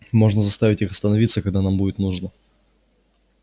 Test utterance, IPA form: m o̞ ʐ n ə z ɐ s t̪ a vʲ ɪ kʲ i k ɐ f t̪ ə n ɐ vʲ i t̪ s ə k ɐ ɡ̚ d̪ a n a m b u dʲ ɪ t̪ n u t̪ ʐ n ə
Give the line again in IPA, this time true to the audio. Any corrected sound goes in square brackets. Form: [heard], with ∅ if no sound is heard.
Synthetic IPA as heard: m o̞ ʐ n ə z ɐ s t̪ a vʲ ɪ [tʲ] i [x] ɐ [s] t̪ ə n ɐ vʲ i t̪ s ə k ɐ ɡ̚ d̪ a n a m b u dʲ ɪ t̪ n u [∅] ʐ n ə